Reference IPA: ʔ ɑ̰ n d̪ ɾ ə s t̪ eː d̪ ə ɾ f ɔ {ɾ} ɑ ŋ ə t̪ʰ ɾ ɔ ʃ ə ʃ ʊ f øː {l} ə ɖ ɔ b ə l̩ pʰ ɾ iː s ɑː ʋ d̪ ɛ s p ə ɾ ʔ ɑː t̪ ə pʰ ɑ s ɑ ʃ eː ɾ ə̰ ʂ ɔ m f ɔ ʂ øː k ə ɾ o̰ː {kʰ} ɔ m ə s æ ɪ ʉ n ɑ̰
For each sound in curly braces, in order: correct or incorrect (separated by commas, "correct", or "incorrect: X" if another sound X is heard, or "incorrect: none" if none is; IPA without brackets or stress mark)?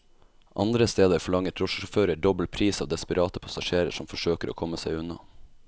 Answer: incorrect: ɭ, incorrect: ɾ, correct